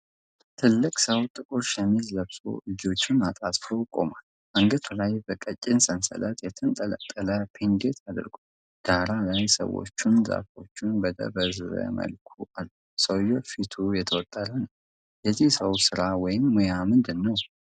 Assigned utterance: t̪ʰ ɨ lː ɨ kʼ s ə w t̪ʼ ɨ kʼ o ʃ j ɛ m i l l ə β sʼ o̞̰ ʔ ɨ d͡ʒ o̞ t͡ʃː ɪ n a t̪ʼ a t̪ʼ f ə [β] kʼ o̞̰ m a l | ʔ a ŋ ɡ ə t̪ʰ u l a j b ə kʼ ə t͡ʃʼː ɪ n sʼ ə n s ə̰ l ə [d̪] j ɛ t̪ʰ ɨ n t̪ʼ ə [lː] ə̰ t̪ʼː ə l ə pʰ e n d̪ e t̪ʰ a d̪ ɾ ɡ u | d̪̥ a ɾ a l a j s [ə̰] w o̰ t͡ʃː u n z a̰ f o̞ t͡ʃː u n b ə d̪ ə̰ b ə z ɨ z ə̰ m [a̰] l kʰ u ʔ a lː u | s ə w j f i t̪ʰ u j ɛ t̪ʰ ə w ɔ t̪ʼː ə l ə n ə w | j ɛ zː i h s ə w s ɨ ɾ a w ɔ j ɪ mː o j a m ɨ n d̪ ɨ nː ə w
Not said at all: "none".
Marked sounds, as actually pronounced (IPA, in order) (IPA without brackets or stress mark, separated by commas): w, t̪, l, ə̰, ə̰